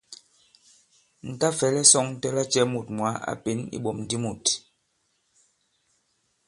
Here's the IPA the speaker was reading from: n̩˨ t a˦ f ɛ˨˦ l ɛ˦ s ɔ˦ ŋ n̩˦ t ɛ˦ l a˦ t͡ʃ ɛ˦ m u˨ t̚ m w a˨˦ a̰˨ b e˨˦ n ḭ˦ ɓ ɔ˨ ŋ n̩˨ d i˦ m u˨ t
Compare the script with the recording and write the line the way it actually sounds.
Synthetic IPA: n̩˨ t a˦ f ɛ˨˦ l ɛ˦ s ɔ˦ ŋ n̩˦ t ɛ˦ l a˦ t͡ʃ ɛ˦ m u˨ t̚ m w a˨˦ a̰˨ p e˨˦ n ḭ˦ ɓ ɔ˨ m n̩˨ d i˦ m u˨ t